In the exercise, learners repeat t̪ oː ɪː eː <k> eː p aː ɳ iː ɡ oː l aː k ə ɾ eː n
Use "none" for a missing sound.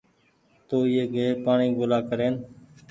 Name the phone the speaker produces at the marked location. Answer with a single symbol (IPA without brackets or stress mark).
ɡ